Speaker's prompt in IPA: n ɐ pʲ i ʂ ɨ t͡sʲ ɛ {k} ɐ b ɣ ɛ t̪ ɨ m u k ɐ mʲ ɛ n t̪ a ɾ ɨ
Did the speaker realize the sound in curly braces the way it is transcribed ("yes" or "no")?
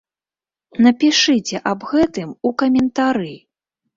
no